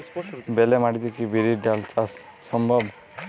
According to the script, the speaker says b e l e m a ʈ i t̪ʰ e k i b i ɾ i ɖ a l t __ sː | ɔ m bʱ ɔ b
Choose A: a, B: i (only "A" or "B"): A